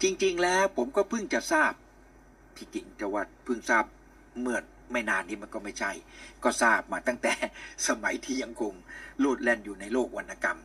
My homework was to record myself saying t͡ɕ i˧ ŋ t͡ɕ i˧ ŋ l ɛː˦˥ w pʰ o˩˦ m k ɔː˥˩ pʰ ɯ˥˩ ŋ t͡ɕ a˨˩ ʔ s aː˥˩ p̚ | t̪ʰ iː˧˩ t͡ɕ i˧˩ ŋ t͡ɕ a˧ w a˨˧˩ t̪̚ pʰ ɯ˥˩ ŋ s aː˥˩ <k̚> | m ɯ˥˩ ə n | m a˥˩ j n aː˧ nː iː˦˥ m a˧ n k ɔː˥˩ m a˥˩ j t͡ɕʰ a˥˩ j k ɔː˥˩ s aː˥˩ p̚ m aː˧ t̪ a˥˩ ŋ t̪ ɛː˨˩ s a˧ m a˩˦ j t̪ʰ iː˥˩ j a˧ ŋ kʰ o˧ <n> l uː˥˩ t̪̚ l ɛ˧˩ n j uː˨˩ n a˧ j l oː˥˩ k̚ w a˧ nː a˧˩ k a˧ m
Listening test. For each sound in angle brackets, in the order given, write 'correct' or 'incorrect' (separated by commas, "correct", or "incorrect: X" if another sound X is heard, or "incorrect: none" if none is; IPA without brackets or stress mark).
incorrect: p̚, incorrect: ŋ